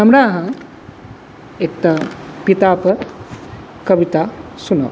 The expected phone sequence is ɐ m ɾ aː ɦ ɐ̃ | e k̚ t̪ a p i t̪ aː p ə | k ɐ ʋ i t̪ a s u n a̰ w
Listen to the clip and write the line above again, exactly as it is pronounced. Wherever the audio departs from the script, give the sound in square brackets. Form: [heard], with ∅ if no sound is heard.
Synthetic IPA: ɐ m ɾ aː ɦ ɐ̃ | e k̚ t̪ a p i t̪ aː p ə | k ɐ ʋ i t̪ a s u n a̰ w

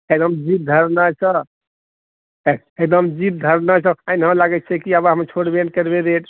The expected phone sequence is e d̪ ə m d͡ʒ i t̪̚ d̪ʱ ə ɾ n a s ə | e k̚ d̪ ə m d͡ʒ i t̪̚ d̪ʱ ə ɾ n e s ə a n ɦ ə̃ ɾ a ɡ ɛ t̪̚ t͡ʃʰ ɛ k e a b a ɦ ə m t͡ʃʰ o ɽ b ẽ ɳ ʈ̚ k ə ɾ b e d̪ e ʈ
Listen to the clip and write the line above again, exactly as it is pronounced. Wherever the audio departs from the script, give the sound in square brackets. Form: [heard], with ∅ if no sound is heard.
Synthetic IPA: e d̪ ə m d͡ʒ i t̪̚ d̪ʱ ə ɾ n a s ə | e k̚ d̪ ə m d͡ʒ i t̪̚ d̪ʱ ə ɾ n [a] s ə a n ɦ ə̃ [l] a ɡ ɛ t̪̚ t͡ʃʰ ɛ k [i] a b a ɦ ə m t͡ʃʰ o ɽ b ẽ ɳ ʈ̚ k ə ɾ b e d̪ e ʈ

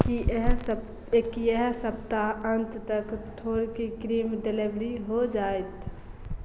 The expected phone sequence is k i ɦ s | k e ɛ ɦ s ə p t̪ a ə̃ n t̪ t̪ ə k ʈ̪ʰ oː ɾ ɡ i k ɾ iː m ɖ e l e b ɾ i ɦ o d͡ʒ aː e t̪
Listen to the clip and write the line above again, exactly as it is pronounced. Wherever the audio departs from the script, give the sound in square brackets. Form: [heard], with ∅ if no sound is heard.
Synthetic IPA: k i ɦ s | k [i] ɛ ɦ s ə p t̪ a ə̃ n t̪ t̪ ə k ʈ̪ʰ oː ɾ [k] i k ɾ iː m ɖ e l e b ɾ i ɦ o d͡ʒ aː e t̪

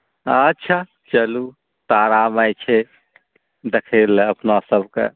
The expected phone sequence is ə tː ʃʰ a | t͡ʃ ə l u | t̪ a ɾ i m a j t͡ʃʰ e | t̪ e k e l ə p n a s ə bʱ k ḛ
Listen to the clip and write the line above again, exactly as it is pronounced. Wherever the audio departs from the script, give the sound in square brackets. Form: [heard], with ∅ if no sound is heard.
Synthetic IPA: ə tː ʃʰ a | t͡ʃ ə l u | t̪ a ɾ [a] m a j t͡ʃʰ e | [d̪] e [kʰ] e l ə p n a s ə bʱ k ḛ

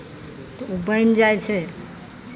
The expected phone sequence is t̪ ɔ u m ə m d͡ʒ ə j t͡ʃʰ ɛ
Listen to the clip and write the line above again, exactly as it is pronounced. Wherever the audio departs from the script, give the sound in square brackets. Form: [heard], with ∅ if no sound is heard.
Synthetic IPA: t̪ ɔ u [b] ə [n] d͡ʒ [a] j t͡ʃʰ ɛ

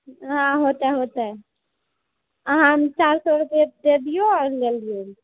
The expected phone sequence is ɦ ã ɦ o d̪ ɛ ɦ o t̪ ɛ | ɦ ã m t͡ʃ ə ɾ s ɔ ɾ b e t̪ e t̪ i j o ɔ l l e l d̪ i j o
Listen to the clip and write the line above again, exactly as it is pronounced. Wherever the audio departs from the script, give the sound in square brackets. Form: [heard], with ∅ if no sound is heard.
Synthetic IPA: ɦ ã ɦ o [t̪] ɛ ɦ o t̪ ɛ | ɦ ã m t͡ʃ [a] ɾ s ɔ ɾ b e [d̪] e [d̪] i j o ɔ [ɾ] l e l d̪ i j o

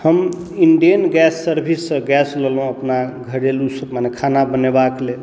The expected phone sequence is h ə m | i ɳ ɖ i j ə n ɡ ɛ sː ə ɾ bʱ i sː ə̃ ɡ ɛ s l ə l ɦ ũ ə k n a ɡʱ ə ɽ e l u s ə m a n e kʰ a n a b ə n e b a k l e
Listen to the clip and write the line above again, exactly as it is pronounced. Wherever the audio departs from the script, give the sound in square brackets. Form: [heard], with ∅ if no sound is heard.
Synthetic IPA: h ə m | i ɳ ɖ i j ə n ɡ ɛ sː ə ɾ bʱ i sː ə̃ ɡ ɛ s l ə l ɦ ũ ə [p] n a ɡʱ ə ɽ e l u s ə m a n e kʰ a n a b ə n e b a k l e

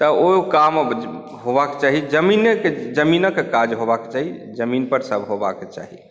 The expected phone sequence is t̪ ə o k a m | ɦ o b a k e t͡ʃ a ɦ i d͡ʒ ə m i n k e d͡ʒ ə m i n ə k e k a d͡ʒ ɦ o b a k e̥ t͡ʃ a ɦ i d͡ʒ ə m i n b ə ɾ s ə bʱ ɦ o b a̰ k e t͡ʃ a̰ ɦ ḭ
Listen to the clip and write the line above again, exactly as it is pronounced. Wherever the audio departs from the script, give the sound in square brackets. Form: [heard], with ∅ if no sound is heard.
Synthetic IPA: t̪ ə o k a m | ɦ o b a k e t͡ʃ a ɦ i d͡ʒ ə m i n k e d͡ʒ ə m i n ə k e k a d͡ʒ ɦ o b a k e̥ t͡ʃ a ɦ i d͡ʒ ə m i n [p] ə ɾ s ə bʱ ɦ o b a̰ k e t͡ʃ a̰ ɦ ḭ

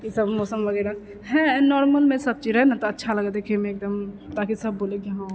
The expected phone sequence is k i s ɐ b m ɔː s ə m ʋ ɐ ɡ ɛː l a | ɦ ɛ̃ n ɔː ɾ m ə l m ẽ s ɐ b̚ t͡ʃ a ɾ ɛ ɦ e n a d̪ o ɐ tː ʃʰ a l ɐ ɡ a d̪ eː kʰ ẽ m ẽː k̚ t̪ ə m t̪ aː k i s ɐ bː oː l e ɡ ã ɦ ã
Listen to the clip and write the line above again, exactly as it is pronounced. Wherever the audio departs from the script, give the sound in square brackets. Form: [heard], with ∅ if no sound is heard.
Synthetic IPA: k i s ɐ b m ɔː s ə m ʋ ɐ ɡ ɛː [ɾ] a | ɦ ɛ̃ n ɔː ɾ m ə l m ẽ s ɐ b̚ t͡ʃ [i] ɾ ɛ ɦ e n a [t̪] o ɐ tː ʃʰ a l ɐ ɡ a d̪ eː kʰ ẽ m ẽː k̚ [d̪] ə m t̪ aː k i s ɐ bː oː l e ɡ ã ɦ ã

